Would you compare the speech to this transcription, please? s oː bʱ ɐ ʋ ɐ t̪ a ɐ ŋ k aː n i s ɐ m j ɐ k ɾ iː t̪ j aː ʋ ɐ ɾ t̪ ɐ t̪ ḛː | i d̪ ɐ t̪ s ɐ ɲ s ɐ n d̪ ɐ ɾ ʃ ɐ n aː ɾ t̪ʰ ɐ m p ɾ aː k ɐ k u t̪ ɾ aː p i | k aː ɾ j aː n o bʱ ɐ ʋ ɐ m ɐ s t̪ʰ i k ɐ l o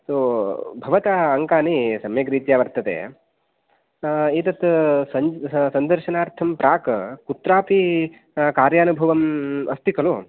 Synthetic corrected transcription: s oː bʱ ɐ ʋ ɐ t̪ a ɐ ŋ k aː n i s ɐ m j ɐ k ɾ iː t̪ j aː ʋ ɐ ɾ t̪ ɐ t̪ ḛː | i t̪ ɐ t̪ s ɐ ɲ s ɐ n d̪ ɐ ɾ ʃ ɐ n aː ɾ t̪ʰ ɐ m p ɾ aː k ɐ k u t̪ ɾ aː p i | k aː ɾ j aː n u bʱ ɐ ʋ ɐ m ɐ s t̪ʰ i k ɐ l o